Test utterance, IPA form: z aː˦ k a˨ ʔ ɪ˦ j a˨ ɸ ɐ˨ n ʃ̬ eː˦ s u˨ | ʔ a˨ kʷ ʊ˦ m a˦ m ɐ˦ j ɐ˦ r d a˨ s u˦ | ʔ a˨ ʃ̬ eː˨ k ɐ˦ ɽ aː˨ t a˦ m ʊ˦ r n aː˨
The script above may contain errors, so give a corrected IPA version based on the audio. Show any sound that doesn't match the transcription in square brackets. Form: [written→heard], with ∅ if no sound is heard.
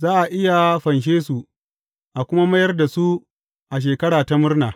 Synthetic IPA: z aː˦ [k→ʔ] a˨ ʔ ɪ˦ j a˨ ɸ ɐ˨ n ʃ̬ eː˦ s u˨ | ʔ a˨ kʷ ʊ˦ m a˦ m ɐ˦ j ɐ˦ r d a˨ s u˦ | ʔ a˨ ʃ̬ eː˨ k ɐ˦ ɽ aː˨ t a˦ m ʊ˦ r n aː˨